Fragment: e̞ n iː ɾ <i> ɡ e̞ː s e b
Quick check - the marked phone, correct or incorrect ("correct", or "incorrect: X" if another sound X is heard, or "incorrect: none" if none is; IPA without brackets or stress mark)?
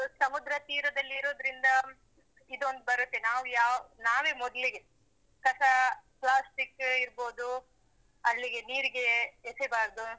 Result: correct